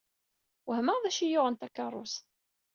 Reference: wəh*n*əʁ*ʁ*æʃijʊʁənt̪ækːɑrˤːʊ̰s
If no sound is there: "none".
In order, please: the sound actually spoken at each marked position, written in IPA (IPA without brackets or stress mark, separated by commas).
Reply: m, ð